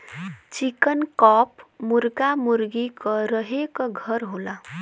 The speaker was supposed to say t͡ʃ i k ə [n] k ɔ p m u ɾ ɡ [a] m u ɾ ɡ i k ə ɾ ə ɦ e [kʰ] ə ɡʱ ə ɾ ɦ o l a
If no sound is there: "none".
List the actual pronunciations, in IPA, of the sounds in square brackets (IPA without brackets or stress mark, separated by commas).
n, a, k